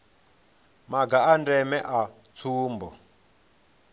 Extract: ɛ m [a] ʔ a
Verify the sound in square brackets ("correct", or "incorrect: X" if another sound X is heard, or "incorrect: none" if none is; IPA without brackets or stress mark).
incorrect: ɛ